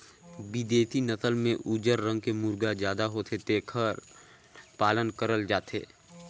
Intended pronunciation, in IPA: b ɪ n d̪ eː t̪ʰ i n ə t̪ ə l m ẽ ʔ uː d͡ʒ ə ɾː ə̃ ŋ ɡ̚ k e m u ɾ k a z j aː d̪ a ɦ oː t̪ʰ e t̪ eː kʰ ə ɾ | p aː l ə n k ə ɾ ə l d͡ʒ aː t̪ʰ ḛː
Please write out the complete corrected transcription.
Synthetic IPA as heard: b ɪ d̪ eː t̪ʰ i n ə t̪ ə l m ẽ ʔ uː d͡ʒ ə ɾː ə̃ ŋ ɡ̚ k e m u ɾ ɡ a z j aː d̪ a ɦ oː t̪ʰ e t̪ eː kʰ ə ɾ | p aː l ə n k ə ɾ ə l d͡ʒ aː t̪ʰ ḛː